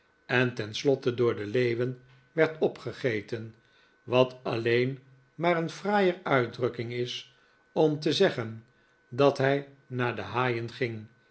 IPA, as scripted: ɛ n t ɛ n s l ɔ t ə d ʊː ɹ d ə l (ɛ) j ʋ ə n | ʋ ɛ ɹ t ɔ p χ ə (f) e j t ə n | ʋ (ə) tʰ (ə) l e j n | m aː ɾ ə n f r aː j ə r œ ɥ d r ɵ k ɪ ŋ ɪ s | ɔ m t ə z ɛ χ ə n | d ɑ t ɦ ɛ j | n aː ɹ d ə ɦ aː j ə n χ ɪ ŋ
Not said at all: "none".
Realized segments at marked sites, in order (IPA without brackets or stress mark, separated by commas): e, χ, ɑ, ɑ